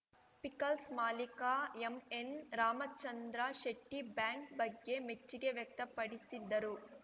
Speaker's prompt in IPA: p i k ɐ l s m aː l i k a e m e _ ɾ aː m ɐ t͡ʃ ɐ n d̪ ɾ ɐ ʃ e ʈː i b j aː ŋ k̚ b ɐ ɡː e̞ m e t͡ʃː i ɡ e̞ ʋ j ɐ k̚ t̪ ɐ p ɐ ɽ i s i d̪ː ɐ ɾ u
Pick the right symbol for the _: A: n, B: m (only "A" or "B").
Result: A